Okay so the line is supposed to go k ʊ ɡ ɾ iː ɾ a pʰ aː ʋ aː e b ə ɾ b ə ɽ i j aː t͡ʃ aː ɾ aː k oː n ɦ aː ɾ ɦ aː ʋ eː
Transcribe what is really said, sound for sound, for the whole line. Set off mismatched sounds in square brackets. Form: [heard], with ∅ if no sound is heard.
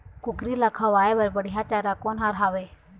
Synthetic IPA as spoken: k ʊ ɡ ɾ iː [l] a [kʰ] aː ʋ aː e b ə ɾ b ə ɽ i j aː t͡ʃ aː ɾ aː k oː n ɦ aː ɾ ɦ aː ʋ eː

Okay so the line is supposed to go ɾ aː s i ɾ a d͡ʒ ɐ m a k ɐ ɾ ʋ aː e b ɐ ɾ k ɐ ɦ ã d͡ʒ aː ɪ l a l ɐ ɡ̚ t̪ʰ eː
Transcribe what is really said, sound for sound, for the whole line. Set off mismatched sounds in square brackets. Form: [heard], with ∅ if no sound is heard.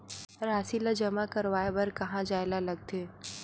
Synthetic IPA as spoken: ɾ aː s i [l] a d͡ʒ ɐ m a k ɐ ɾ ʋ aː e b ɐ ɾ k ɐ ɦ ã d͡ʒ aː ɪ l a l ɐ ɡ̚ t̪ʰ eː

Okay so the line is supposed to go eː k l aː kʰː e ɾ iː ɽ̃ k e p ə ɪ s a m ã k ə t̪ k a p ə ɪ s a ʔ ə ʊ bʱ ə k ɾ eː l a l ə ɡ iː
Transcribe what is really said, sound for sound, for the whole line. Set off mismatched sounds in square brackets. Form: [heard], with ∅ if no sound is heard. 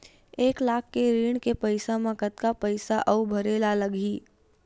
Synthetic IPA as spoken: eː k l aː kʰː e ɾ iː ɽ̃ k e p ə ɪ s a m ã k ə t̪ k a p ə ɪ s a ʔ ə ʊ bʱ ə [∅] ɾ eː l a l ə ɡ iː

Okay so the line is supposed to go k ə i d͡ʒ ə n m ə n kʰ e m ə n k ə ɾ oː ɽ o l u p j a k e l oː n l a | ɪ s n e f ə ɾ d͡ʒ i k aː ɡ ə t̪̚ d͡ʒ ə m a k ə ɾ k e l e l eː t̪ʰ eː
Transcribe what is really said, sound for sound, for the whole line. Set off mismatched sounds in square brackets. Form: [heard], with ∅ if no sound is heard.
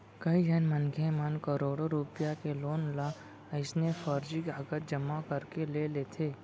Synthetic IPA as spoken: k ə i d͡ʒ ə n m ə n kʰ e m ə n k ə ɾ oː ɽ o [ɾ] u p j a k e l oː n l a | ɪ s n e f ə ɾ d͡ʒ i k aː ɡ ə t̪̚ d͡ʒ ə m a k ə ɾ k e l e l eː t̪ʰ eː

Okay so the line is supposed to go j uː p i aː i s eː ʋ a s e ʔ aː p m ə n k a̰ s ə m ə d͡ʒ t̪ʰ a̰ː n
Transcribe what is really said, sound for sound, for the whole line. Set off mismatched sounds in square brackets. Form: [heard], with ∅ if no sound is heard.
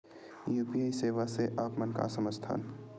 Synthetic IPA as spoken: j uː p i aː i s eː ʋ a s e ʔ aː p m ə n k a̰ s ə m ə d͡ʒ t̪ʰ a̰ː n

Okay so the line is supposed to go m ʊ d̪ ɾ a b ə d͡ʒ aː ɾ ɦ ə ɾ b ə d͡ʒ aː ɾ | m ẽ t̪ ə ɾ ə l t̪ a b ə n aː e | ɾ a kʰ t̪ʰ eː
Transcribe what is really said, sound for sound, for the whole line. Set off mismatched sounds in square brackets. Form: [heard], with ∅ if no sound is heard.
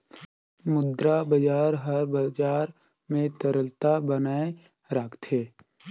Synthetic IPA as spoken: m ʊ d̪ ɾ a b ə d͡ʒ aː ɾ ɦ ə ɾ b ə d͡ʒ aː ɾ | m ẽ t̪ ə ɾ ə l t̪ a b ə n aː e | ɾ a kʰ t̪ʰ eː

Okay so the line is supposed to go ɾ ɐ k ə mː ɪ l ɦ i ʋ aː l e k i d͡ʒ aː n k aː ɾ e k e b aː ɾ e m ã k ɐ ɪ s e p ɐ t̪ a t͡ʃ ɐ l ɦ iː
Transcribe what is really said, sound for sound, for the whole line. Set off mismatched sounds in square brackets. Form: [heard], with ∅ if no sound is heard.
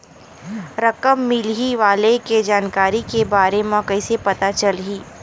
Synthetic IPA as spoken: ɾ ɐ k ə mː ɪ l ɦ i ʋ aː l e k [e] d͡ʒ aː n k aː ɾ [i] k e b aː ɾ e m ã k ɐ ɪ s e p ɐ t̪ a t͡ʃ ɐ l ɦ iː

